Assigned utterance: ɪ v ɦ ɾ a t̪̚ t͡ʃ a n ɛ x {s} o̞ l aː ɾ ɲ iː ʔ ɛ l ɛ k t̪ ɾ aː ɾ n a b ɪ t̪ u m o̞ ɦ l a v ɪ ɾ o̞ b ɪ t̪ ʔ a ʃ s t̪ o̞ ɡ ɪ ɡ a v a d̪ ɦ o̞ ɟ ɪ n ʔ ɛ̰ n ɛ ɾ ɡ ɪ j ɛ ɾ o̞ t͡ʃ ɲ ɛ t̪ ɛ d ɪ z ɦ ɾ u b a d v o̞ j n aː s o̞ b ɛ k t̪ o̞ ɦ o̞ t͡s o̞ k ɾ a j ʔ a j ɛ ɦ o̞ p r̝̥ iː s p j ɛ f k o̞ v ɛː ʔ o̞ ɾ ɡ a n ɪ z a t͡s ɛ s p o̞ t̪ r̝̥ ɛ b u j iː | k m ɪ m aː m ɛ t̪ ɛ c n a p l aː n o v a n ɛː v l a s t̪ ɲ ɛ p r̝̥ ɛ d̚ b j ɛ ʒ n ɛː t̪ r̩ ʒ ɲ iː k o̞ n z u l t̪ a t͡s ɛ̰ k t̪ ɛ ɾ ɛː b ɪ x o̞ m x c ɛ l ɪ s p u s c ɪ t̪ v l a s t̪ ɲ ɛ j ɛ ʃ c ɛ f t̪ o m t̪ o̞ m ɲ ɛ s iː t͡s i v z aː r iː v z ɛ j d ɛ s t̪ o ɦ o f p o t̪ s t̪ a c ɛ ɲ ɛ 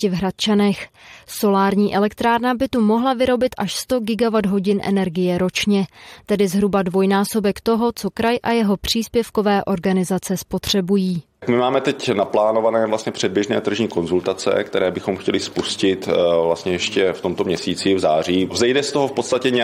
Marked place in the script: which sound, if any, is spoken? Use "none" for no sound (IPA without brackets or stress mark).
s